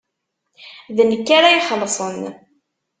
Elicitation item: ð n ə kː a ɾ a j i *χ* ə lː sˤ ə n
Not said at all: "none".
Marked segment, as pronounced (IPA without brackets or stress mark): χ